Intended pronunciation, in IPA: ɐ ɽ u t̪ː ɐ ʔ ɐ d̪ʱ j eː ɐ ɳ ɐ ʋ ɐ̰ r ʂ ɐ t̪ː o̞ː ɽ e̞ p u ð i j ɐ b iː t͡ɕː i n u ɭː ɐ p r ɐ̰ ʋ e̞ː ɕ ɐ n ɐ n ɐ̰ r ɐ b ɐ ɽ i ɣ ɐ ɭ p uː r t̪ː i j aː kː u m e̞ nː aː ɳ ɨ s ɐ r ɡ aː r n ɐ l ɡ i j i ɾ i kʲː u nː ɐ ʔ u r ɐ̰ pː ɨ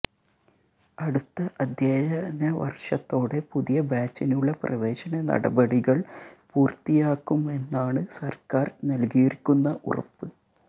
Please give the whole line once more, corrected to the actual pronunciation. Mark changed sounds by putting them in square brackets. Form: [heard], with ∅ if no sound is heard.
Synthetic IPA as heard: ɐ ɽ u t̪ː ɐ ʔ ɐ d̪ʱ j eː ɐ [n] ɐ ʋ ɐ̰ r ʂ ɐ t̪ː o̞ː ɽ e̞ p u ð i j ɐ b [aː] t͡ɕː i n u ɭː ɐ p r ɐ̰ ʋ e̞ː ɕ ɐ n ɐ n ɐ̰ [ɽ] ɐ b ɐ ɽ i ɣ ɐ ɭ p uː r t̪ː i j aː kː u m e̞ nː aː ɳ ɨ s ɐ r [k] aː r n ɐ l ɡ i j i ɾ i kʲː u nː ɐ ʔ u r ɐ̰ pː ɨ

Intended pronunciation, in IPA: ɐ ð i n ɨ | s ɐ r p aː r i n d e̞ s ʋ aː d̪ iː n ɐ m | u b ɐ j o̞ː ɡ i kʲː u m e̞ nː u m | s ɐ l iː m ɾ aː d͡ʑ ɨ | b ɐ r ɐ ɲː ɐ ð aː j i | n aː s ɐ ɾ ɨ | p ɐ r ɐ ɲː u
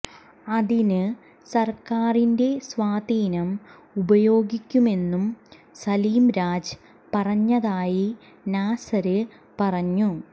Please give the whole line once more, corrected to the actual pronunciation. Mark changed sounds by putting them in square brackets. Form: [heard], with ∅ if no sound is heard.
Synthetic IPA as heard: ɐ ð i n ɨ | s ɐ r [k] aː r i n d e̞ s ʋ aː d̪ iː n ɐ m | u b ɐ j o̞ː ɡ i kʲː u m e̞ nː u m | s ɐ l iː m ɾ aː d͡ʑ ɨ | [p] ɐ r ɐ ɲː ɐ ð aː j i | n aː s ɐ ɾ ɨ | p ɐ r ɐ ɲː u

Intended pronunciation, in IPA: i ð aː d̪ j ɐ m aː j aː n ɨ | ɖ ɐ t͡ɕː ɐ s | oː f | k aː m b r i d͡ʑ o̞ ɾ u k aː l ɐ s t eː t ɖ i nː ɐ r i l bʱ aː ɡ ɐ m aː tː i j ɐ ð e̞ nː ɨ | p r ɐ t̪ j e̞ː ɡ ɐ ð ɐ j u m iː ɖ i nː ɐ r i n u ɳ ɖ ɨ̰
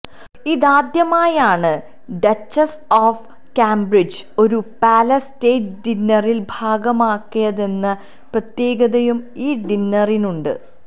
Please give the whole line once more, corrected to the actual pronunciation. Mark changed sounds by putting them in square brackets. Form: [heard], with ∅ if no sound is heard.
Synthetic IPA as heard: i ð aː d̪ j ɐ m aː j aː [ɳ] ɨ | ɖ ɐ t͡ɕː ɐ s | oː f | k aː m b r i d͡ʑ o̞ ɾ u [p] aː l ɐ s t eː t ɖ i nː ɐ r i l bʱ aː ɡ ɐ m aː [kː] i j ɐ ð e̞ nː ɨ | p r ɐ t̪ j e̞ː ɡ ɐ ð ɐ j u m iː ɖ i nː ɐ r i n u ɳ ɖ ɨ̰

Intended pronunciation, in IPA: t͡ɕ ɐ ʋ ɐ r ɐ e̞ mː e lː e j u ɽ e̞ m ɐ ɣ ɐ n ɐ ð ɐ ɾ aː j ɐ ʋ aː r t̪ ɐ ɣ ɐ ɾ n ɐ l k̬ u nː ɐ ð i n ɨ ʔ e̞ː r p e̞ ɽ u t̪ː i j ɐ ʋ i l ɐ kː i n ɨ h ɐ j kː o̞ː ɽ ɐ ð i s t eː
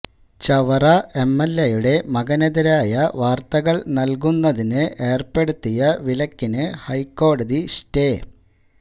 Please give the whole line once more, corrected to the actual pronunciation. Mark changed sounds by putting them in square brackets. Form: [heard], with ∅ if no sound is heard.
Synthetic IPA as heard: t͡ɕ ɐ ʋ ɐ r ɐ e̞ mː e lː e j u ɽ e̞ m ɐ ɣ ɐ n ɐ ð ɐ ɾ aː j ɐ ʋ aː r t̪ ɐ ɣ ɐ [ɭ] n ɐ l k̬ u nː ɐ ð i n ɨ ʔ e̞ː r p e̞ ɽ u t̪ː i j ɐ ʋ i l ɐ kː i n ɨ h ɐ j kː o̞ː ɽ ɐ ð i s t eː

